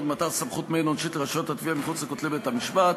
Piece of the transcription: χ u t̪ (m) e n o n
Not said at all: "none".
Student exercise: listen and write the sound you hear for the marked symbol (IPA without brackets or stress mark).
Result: m